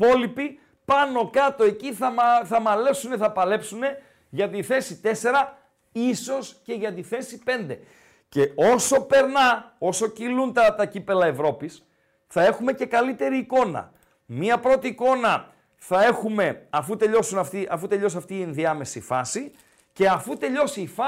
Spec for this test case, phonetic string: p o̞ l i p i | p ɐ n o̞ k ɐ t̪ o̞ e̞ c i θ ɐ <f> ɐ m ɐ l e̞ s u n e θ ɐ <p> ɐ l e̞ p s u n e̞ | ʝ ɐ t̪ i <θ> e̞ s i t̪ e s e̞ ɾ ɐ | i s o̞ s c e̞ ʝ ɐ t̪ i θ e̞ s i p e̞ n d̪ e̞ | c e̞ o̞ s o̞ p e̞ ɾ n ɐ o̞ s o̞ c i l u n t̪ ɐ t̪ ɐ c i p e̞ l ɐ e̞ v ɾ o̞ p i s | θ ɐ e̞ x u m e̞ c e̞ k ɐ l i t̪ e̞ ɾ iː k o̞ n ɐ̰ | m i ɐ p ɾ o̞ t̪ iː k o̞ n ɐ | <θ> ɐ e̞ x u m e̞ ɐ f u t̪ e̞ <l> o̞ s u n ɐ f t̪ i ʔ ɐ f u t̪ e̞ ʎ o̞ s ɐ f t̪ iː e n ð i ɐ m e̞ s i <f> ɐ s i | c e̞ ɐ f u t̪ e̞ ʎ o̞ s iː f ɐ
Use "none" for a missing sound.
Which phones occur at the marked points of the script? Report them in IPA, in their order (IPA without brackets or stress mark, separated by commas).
θ, p, θ, θ, ʎ, f